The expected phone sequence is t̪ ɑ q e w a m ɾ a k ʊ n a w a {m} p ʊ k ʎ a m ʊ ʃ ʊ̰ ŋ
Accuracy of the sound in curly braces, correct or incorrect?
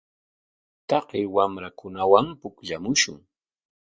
correct